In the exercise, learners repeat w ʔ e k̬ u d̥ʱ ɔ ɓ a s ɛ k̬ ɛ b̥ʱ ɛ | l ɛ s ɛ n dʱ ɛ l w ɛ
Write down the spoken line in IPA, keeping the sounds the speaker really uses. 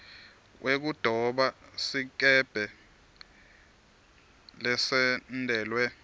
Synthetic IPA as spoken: w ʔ e k̬ u d̥ʱ ɔ ɓ a s i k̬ ɛ b̥ʱ ɛ | l ɛ s ɛ n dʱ ɛː l w ɛ